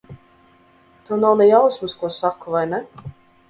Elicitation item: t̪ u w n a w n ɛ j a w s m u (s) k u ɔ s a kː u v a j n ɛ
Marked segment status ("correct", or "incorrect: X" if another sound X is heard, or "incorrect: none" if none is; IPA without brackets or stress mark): correct